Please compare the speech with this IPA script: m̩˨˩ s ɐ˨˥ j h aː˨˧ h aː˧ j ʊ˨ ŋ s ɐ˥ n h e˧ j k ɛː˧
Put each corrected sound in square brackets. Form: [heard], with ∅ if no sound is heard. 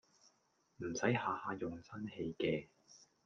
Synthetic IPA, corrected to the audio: m̩˨˩ s ɐ˨˥ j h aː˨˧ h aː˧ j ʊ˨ ŋ s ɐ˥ n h e˧ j k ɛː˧